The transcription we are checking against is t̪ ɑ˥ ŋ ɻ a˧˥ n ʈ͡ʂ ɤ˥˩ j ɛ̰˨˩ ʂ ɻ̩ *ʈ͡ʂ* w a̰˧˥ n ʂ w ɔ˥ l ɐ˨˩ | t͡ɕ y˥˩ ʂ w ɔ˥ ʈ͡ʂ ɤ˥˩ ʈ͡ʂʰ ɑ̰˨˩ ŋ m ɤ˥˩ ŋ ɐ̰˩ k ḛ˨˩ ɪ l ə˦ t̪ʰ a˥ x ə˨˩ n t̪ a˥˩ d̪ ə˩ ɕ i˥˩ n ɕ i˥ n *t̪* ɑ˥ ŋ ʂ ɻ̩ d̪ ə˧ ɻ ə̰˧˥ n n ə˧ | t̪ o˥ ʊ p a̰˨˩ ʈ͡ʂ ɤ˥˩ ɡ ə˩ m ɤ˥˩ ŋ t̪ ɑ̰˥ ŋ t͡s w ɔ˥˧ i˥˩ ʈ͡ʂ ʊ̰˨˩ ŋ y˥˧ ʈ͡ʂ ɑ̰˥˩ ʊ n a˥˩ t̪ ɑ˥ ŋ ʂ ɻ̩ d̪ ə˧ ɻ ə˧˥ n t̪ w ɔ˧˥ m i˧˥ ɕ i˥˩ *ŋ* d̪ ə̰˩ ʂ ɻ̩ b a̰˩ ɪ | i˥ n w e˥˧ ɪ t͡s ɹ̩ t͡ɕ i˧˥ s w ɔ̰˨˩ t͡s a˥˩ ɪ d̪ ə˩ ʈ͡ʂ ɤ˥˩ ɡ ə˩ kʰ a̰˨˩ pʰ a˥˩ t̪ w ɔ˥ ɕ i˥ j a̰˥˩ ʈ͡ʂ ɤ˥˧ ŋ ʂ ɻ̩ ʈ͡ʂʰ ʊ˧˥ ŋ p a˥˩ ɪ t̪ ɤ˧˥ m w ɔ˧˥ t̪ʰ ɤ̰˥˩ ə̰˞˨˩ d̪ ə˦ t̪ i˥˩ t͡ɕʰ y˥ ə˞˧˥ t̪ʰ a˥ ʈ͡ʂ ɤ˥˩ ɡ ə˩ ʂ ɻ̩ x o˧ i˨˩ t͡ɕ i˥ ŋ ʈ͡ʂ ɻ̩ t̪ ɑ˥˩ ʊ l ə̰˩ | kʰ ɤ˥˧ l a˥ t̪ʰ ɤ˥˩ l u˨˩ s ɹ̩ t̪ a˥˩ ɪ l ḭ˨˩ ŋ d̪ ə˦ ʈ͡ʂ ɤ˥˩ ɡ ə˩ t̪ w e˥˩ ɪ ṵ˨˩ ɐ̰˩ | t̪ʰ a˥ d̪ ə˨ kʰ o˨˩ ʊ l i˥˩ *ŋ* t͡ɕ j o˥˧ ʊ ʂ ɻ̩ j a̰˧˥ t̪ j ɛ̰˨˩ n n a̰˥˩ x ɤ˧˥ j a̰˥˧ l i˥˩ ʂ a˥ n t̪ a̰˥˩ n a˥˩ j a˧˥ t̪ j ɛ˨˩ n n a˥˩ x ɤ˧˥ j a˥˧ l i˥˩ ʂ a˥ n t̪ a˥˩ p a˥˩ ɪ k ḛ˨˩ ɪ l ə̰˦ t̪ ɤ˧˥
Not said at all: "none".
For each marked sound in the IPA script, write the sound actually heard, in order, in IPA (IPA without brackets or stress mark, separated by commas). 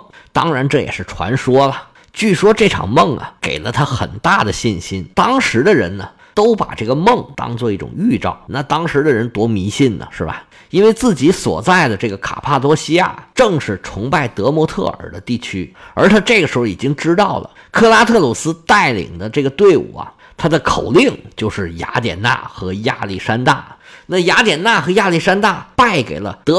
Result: ʈ͡ʂʰ, t̪, n, ŋ